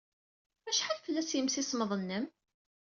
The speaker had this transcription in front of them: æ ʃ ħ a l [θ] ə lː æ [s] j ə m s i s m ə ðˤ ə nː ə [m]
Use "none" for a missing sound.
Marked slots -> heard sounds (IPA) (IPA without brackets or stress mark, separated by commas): f, s, m